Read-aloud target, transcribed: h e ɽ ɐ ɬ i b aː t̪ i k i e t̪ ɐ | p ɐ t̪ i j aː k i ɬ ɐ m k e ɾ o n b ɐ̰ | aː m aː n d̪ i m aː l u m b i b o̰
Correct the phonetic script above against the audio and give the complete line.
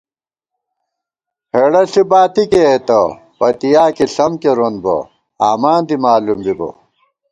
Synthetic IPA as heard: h e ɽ ɐ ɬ i b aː t̪ i k e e t̪ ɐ | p ɐ t̪ i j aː k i ɬ ɐ m k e ɾ o n b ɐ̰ | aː m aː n d̪ i m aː l u m b i b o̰